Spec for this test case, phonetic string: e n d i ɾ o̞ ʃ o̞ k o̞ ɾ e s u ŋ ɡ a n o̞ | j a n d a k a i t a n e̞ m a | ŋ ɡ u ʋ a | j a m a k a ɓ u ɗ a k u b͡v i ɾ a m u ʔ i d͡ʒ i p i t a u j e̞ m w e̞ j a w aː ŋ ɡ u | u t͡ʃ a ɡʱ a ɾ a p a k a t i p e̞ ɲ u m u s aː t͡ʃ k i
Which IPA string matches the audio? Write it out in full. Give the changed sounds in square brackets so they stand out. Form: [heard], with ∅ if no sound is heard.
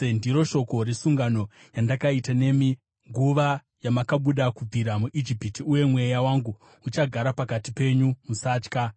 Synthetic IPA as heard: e n d i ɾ o̞ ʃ o̞ k o̞ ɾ e s u ŋ ɡ a n o̞ | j a n d a k a i t a n e̞ m [i] | ŋ ɡ u ʋ a | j a m a k a ɓ u ɗ a k u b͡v i ɾ a m u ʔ i d͡ʒ i p i t [i] u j e̞ m w e̞ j a w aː ŋ ɡ u | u t͡ʃ a ɡʱ a ɾ a p a k a t i p e̞ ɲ u m u s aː t͡ʃ k [a]